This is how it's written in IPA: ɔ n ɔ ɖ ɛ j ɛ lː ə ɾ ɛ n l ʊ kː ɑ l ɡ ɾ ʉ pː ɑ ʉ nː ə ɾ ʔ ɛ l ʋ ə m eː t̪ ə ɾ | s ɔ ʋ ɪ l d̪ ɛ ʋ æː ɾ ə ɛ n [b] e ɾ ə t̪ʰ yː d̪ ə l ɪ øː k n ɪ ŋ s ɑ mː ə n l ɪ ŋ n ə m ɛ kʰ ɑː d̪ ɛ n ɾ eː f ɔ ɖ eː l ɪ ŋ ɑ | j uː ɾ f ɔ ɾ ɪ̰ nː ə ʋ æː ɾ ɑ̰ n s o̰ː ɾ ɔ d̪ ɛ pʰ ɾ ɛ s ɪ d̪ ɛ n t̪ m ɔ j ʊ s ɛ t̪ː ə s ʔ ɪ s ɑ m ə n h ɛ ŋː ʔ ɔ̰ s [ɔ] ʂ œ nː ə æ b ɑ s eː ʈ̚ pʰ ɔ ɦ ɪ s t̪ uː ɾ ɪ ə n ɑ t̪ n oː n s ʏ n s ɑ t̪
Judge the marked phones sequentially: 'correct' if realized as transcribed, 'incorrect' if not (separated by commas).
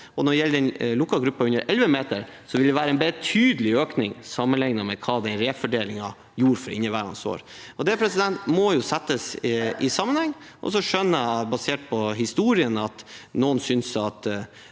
correct, correct